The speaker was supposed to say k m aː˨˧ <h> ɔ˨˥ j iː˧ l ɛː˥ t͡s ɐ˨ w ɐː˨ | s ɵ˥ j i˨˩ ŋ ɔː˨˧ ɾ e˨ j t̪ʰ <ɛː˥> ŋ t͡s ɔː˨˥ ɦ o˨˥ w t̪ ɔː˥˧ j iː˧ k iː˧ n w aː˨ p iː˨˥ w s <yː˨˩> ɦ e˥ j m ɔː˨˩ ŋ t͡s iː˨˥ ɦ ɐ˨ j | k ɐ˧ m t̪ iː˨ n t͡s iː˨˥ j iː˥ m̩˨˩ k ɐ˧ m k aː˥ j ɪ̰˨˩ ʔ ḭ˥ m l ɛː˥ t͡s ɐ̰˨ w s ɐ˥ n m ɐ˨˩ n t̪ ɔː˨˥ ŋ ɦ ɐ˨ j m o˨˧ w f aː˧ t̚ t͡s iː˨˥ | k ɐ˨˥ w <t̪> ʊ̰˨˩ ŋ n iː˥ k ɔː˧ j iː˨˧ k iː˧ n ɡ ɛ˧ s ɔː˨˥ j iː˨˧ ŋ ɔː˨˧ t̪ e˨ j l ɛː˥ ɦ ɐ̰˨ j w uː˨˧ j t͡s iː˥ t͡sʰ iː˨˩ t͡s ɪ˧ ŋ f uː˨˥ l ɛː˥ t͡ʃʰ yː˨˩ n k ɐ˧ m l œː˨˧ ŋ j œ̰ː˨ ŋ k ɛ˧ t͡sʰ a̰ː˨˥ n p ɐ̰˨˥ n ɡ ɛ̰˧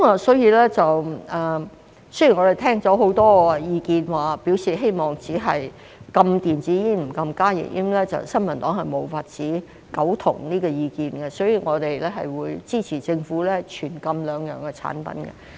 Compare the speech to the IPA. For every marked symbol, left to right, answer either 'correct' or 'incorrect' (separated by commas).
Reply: incorrect, correct, incorrect, incorrect